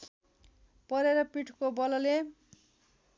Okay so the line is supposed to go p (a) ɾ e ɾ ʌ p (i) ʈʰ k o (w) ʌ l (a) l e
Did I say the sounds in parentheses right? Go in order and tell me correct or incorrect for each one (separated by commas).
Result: incorrect, correct, incorrect, incorrect